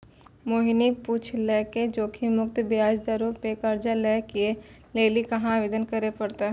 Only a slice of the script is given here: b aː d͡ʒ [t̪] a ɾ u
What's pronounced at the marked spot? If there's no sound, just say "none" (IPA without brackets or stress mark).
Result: d̪